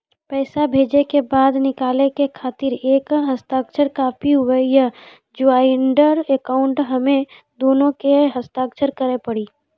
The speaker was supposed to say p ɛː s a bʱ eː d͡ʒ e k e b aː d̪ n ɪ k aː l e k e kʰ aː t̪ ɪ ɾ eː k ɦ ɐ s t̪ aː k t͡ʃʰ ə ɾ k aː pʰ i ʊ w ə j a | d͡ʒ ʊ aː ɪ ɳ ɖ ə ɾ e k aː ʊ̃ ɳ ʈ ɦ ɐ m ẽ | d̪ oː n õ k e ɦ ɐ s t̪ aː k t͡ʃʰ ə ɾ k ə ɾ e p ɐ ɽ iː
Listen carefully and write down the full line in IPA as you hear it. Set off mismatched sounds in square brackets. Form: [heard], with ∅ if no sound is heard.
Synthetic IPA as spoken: p ɛː s a bʱ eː d͡ʒ e k e b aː d̪ n ɪ k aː l e k e kʰ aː t̪ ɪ ɾ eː k ɦ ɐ s t̪ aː k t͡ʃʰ ə ɾ k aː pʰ i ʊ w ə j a | d͡ʒ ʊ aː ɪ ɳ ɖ ə ɾ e k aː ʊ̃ ɳ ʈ ɦ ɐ m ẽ | d̪ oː n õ k e ɦ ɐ s t̪ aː k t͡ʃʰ ə ɾ k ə ɾ e p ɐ ɽ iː